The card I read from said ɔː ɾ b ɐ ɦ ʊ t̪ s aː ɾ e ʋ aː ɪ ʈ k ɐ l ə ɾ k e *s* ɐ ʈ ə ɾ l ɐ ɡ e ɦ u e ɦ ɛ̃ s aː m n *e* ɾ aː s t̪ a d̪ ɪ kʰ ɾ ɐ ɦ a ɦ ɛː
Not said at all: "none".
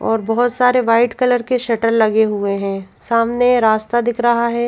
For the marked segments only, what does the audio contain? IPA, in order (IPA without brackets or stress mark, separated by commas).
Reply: ʃ, e